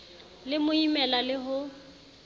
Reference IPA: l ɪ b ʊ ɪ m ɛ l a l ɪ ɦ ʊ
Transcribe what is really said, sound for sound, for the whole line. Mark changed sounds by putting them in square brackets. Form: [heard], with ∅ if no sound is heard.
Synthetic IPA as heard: l ɪ [m] ʊ [i] m ɛ l a l ɪ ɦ ʊ